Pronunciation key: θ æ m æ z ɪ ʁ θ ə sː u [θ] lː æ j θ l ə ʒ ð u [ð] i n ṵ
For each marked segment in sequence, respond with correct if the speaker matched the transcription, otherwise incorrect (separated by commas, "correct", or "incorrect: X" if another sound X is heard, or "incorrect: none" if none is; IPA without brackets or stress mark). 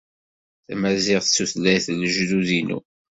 correct, correct